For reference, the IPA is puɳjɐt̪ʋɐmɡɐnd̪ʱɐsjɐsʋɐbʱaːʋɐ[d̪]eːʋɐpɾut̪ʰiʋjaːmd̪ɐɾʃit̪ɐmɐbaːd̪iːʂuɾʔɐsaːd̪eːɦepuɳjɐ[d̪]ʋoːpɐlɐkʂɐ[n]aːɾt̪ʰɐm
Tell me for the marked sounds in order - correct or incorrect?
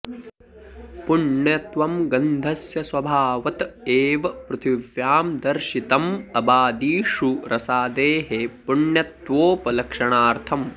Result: incorrect: t̪, incorrect: t̪, incorrect: ɳ

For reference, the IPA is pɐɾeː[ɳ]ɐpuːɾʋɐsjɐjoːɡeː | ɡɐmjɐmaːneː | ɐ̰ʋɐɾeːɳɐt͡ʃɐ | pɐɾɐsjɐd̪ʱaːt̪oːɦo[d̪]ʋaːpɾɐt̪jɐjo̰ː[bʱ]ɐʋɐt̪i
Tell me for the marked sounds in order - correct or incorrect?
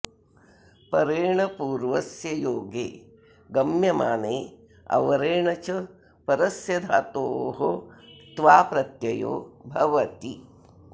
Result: correct, incorrect: t̪, correct

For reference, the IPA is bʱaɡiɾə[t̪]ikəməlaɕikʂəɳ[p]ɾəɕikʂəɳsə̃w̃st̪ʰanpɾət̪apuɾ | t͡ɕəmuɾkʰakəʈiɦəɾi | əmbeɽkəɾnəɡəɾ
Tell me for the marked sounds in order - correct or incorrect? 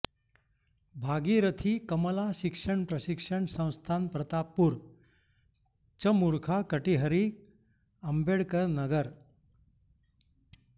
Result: incorrect: t̪ʰ, correct

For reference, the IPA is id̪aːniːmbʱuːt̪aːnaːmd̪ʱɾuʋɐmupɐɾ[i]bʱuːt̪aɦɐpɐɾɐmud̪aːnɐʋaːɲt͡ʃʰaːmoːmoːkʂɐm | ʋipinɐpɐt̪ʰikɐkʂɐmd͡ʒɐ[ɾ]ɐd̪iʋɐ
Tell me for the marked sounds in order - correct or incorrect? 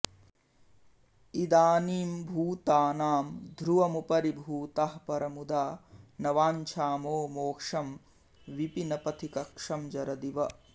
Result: correct, correct

